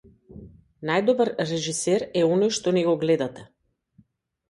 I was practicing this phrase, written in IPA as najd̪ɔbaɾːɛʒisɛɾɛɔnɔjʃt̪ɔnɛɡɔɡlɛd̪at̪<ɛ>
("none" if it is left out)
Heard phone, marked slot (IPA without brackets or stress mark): ɛ